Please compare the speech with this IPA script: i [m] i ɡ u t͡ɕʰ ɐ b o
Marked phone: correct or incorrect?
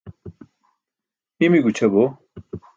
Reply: correct